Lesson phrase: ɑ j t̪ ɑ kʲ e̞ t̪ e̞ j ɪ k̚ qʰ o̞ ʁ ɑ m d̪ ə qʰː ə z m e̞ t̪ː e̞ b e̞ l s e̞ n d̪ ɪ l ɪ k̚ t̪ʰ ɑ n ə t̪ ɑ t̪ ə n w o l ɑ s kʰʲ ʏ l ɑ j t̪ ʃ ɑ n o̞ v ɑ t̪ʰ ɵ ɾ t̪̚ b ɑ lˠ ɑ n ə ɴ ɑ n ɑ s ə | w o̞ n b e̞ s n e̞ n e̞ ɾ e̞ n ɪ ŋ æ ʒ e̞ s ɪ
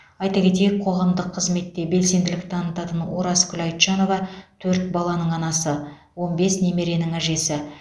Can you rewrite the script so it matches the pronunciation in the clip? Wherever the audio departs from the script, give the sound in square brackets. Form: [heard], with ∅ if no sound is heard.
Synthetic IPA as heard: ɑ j t̪ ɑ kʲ e̞ t̪ e̞ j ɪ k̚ qʰ o̞ ʁ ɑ m d̪ ə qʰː ə z m e̞ t̪ː e̞ b e̞ l s e̞ n d̪ ɪ l ɪ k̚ t̪ʰ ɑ n ə t̪ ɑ t̪ ə n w o [ɾ] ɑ s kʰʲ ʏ l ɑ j t̪ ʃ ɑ n o̞ v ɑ t̪ʰ ɵ ɾ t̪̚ b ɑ lˠ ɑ n ə ɴ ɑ n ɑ s ə | w o̞ n b e̞ s n e̞ [m] e̞ ɾ e̞ n ɪ ŋ æ ʒ e̞ s ɪ

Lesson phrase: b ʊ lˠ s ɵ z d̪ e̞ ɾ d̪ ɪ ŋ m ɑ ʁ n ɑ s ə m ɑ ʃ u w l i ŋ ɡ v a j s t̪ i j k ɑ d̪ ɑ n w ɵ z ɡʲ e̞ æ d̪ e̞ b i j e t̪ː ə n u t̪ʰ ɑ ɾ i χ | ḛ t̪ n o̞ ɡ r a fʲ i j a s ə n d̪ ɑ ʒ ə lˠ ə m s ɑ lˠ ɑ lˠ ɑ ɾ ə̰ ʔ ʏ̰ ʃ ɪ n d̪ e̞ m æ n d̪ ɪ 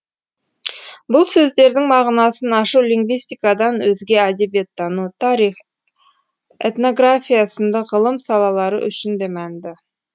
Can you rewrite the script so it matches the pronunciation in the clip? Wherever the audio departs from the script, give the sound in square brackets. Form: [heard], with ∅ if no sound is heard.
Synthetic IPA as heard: b ʊ lˠ s ɵ z d̪ e̞ ɾ d̪ ɪ ŋ m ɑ ʁ n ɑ s ə [n] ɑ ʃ u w l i ŋ ɡ v [i] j s t̪ i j k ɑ d̪ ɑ n w ɵ z ɡʲ e̞ æ d̪ e̞ b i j e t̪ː [ɑ] n u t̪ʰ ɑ ɾ i χ | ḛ t̪ n o̞ ɡ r a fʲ i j a s ə n d̪ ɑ [ʁ] ə lˠ ə m s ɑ lˠ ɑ lˠ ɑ ɾ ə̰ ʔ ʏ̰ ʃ ɪ n d̪ e̞ m æ n d̪ ɪ

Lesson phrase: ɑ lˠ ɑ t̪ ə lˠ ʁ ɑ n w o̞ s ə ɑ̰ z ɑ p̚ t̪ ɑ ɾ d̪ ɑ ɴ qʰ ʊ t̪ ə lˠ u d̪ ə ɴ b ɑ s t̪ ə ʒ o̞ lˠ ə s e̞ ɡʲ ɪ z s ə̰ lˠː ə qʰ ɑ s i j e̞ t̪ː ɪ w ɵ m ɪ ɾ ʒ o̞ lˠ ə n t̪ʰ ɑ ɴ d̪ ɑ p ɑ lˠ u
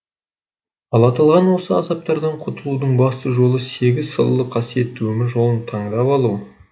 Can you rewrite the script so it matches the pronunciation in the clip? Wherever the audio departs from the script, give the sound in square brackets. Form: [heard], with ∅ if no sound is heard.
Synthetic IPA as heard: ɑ lˠ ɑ t̪ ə lˠ ʁ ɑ n w o̞ s ə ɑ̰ z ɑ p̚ t̪ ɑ ɾ d̪ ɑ ɴ qʰ ʊ t̪ ə lˠ u d̪ ə ɴ b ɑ s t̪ ə ʒ o̞ lˠ ə s e̞ ɡʲ ɪ z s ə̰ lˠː ə qʰ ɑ s i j e̞ t̪ː ɪ w ɵ m ɪ ɾ ʒ o̞ lˠ ə n t̪ʰ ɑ ɴ d̪ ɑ p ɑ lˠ u

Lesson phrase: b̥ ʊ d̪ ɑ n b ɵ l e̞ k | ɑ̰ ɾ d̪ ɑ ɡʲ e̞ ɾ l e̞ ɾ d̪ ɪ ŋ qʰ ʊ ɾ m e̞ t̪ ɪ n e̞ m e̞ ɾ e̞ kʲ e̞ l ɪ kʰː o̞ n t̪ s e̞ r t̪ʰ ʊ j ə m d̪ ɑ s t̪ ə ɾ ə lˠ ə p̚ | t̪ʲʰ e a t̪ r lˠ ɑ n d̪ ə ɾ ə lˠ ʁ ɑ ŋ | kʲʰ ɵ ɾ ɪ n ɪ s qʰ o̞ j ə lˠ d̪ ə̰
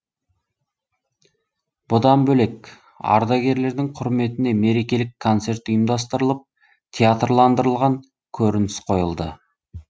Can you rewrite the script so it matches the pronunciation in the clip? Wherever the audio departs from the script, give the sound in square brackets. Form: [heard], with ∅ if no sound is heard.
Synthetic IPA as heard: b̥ ʊ d̪ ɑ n b ɵ l e̞ k | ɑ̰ ɾ d̪ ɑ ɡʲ e̞ ɾ l e̞ ɾ d̪ ɪ ŋ qʰ ʊ ɾ m e̞ t̪ ɪ n e̞ m e̞ ɾ e̞ kʲ e̞ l ɪ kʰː o̞ n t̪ s e̞ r [t̪] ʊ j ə m d̪ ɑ s t̪ ə ɾ ə lˠ ə p̚ | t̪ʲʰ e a t̪ r lˠ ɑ n d̪ ə ɾ ə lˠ ʁ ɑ ŋ | kʲʰ ɵ ɾ ɪ n ɪ s qʰ o̞ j ə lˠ d̪ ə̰

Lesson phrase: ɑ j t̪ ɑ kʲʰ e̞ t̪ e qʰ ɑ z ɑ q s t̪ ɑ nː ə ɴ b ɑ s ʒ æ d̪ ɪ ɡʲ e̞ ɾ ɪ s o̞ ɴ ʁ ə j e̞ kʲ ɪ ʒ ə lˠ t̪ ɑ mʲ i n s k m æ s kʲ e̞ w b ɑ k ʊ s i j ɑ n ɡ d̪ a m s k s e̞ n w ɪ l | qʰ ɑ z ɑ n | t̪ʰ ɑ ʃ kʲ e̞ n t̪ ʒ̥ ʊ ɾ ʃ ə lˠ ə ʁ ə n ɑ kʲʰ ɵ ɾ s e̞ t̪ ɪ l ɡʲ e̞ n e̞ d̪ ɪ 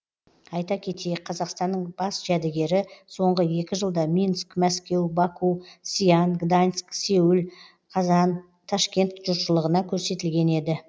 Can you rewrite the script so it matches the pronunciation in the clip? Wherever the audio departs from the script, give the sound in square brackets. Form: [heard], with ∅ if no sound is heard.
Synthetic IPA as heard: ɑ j t̪ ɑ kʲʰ e̞ t̪ e qʰ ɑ z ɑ q s t̪ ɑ nː ə ɴ b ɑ s ʒ æ d̪ ɪ ɡʲ e̞ ɾ ɪ s o̞ ɴ ʁ ə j e̞ kʲ ɪ ʒ ə lˠ [d̪] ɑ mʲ i n s k m æ s kʲ e̞ w b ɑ k [u] s i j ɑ n ɡ d̪ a [n] s k s e̞ [∅] w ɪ l | qʰ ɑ z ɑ n | t̪ʰ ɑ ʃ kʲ e̞ n t̪ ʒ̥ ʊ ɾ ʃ ə lˠ ə ʁ ə n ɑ kʲʰ ɵ ɾ s e̞ t̪ ɪ l ɡʲ e̞ n e̞ d̪ ɪ

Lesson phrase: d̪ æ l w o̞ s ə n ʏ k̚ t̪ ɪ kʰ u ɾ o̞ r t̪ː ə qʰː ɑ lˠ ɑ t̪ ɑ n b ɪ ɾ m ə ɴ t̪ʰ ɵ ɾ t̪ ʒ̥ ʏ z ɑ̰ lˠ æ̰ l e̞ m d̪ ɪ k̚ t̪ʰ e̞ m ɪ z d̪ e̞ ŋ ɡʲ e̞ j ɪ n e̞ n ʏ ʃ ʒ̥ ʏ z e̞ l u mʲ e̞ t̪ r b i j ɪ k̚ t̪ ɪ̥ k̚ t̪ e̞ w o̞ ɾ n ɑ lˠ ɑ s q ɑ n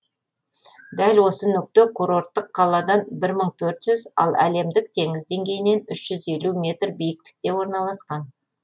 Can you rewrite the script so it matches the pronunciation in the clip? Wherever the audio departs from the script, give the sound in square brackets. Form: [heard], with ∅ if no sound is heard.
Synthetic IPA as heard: d̪ æ l w o̞ s ə n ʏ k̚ t̪ ɪ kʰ u ɾ o̞ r t̪ː ə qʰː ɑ lˠ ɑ [d̪] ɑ n b ɪ ɾ m ə ɴ t̪ʰ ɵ ɾ t̪ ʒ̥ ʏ z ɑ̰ lˠ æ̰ l e̞ m d̪ ɪ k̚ t̪ʰ e̞ [ŋ] ɪ z d̪ e̞ ŋ ɡʲ e̞ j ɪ n e̞ n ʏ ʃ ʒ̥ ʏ z e̞ l u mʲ e̞ t̪ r b i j ɪ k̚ t̪ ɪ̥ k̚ t̪ e̞ w o̞ ɾ n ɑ lˠ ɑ s q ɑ n

